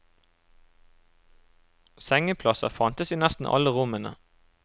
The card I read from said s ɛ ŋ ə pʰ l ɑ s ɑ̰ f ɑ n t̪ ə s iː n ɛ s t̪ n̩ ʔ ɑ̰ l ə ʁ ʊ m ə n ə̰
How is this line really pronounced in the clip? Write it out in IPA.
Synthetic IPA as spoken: s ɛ ŋ ə pʰ l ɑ s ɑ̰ f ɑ n t̪ ə s iː n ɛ s t̪ n̩ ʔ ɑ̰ l ə ʁ ʊ m ə n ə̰